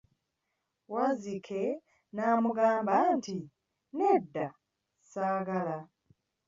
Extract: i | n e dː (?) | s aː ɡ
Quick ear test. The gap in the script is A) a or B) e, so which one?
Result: A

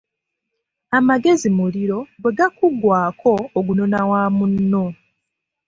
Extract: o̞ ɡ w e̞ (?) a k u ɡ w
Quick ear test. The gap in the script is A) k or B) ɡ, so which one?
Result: B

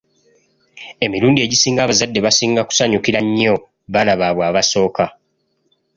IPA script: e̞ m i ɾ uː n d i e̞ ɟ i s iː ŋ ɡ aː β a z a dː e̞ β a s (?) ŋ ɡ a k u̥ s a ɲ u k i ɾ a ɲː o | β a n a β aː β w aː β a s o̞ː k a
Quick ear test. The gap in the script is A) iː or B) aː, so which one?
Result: A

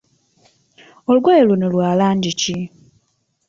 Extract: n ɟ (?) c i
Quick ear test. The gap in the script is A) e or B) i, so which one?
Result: B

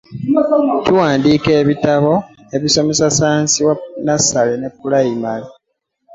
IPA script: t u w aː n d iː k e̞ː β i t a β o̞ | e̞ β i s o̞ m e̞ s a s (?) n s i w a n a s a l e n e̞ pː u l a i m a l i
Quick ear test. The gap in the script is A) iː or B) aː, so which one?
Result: B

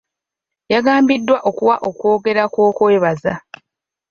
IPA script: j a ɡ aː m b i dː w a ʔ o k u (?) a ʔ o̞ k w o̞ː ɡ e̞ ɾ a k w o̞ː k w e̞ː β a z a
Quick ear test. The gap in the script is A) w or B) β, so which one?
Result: A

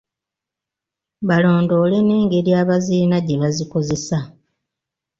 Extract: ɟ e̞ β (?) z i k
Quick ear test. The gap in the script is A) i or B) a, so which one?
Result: B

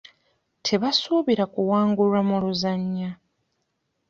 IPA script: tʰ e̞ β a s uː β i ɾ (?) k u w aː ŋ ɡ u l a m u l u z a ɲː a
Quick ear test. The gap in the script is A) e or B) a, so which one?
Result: B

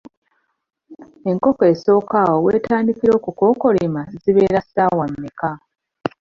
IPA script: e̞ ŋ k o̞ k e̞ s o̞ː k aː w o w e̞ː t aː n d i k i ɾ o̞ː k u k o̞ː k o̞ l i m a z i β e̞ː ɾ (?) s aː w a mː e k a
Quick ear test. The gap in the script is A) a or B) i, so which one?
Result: A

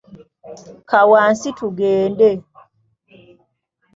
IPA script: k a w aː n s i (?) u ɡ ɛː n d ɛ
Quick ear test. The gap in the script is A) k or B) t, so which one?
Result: B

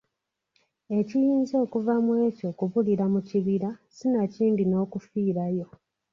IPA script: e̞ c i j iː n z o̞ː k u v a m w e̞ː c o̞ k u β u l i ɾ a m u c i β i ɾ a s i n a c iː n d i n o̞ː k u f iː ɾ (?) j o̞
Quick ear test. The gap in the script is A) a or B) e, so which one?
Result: A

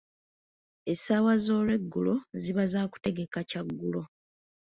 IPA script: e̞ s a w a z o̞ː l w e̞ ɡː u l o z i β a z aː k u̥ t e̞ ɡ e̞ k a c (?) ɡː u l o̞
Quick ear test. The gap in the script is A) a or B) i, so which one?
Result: A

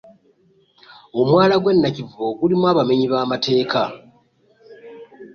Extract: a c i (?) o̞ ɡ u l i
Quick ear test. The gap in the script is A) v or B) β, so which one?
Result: A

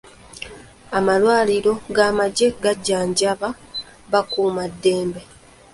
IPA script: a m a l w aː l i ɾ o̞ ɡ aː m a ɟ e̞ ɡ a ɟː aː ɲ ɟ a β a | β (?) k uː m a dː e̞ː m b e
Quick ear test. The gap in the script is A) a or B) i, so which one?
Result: A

